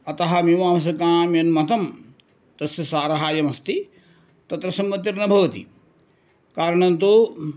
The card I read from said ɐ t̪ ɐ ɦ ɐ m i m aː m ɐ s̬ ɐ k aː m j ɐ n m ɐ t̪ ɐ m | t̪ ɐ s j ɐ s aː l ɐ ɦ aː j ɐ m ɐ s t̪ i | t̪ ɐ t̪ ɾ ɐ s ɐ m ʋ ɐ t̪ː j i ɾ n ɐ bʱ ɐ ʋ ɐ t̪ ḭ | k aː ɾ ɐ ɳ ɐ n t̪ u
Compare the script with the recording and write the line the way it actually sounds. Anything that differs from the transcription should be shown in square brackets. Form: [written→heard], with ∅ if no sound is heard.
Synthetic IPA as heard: ɐ t̪ ɐ ɦ ɐ m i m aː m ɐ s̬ ɐ k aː m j ɐ n m ɐ t̪ ɐ m | t̪ ɐ s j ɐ s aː [l→ɾ] ɐ ɦ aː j ɐ m ɐ s t̪ i | t̪ ɐ t̪ ɾ ɐ s ɐ m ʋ ɐ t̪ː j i ɾ n ɐ bʱ ɐ ʋ ɐ t̪ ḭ | k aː ɾ ɐ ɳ ɐ n t̪ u